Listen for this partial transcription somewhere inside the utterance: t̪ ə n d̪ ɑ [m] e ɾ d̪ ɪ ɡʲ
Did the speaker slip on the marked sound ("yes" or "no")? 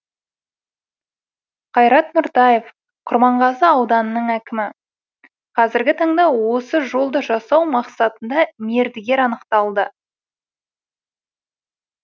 no